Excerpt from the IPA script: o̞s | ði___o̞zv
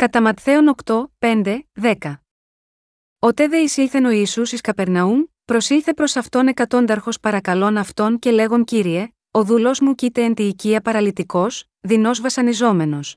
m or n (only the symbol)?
n